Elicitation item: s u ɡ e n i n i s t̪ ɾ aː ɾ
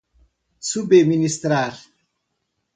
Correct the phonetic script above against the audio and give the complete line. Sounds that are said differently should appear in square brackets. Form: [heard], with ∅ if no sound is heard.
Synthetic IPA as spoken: s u [b] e [m] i n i s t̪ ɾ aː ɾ